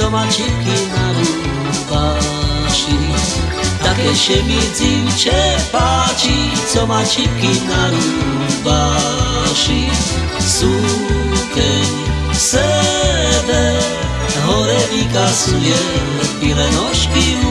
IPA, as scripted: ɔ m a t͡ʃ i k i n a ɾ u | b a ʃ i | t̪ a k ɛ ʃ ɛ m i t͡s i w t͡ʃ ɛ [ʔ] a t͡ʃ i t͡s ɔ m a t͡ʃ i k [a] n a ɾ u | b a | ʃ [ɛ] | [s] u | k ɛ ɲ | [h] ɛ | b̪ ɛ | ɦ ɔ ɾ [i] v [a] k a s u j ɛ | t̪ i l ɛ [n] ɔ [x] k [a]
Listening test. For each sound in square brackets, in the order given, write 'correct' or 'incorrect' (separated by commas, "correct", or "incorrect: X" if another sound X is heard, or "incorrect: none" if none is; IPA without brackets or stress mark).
incorrect: p, incorrect: i, incorrect: i, correct, incorrect: s, incorrect: ɛ, incorrect: i, correct, incorrect: ʃ, incorrect: i